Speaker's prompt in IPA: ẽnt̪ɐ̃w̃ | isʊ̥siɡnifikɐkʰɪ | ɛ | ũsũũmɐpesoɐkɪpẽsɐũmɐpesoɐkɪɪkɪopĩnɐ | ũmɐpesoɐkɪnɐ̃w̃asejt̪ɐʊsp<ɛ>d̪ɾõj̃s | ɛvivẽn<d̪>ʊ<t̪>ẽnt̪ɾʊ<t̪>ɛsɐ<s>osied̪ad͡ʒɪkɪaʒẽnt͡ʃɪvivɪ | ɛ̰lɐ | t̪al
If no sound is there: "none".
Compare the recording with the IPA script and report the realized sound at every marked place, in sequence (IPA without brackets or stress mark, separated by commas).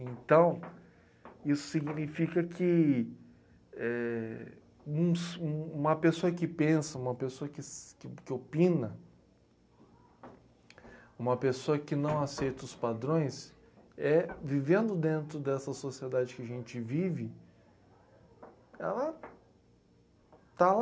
a, d̪, d̪, d̪, s